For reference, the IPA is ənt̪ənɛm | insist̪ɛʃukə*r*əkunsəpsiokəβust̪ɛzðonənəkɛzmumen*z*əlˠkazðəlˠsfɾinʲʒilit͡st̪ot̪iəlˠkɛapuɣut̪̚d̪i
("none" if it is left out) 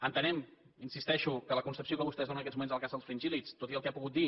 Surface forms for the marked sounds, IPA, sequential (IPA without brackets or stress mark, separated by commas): l, z